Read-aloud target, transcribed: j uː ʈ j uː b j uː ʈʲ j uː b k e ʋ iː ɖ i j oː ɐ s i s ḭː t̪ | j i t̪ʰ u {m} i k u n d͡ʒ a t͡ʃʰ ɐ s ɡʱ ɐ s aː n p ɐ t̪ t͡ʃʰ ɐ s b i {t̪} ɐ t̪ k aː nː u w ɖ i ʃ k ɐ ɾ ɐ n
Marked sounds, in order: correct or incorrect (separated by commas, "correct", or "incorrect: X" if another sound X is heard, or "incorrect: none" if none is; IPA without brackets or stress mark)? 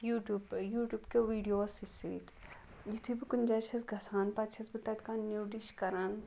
incorrect: b, correct